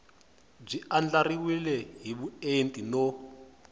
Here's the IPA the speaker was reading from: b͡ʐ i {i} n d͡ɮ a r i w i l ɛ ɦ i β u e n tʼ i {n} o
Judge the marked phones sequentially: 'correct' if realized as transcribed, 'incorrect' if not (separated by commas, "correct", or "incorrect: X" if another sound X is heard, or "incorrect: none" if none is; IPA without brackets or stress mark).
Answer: incorrect: a, correct